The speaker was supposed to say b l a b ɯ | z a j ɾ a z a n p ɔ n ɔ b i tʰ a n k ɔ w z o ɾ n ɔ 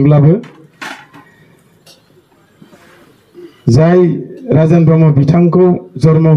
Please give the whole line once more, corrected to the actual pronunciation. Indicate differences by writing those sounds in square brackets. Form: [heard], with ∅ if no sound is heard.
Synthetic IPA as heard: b l a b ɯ | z a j ɾ a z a n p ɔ [m] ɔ b i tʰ a [ŋ] k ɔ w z [ɔ] ɾ [m] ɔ